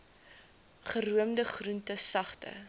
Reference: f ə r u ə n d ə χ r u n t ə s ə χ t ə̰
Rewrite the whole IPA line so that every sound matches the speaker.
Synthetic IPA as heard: χ ə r u ə m d ə χ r u n t ə s ɐ χ t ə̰

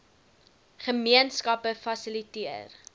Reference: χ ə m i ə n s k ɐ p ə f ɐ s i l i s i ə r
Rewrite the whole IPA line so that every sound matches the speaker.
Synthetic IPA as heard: χ ə m i ə n s k ɐ p ə f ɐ s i l i t i ə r

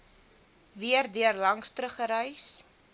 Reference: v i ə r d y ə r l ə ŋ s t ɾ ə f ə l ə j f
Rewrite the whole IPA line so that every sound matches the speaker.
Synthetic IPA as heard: v i ə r d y ə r l ɐ ŋ s t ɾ ə χ ə ɾ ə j s

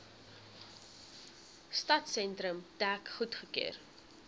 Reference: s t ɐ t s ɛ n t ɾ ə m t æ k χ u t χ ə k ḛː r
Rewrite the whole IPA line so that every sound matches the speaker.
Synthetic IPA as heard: s t ɐ t s ɛ n t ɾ ə m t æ k χ u t χ ə k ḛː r

